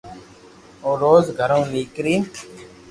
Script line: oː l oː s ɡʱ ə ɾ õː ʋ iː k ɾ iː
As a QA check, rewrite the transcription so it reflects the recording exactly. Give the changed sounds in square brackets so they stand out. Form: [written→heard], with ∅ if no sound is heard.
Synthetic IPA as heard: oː [l→ɾ] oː [s→z] ɡʱ ə ɾ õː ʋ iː k ɾ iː